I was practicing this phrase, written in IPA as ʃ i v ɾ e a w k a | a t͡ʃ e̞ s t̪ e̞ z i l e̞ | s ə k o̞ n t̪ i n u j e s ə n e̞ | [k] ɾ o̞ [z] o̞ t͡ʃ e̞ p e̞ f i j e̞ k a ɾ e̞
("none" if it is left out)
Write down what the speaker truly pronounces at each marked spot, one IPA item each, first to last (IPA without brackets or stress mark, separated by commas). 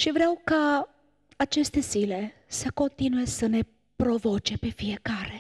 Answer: p, v